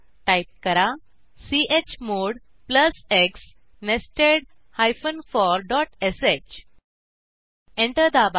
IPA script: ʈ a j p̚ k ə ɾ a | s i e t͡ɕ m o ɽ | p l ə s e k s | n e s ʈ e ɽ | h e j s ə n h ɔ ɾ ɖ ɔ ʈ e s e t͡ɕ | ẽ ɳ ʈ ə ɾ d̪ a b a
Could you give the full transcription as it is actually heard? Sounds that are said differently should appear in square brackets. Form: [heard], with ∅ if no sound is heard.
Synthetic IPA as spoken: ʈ a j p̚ k ə ɾ a | s i e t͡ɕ m o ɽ | p l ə s e k s | n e s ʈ e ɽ | h [a] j [f] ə n [f] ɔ ɾ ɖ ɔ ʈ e s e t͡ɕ | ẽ ɳ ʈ ə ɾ d̪ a b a